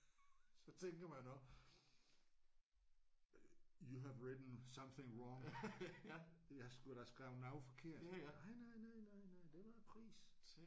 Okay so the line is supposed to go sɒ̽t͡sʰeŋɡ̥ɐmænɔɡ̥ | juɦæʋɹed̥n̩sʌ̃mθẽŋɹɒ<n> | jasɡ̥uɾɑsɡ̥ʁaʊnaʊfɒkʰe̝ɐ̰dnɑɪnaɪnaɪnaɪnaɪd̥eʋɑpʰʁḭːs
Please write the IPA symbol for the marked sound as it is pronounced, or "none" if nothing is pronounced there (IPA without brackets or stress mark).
ŋ